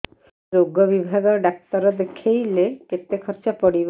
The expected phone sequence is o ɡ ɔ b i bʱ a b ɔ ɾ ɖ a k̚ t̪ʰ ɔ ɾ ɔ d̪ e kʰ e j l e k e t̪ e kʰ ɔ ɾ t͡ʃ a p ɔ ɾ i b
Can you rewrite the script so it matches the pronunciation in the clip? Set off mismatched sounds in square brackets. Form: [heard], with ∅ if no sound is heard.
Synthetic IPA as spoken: o ɡ ɔ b i bʱ a [ɡ] ɔ ɾ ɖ a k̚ [t̪] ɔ ɾ ɔ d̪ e kʰ e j l e k e t̪ e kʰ ɔ ɾ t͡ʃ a p ɔ [ɽ] i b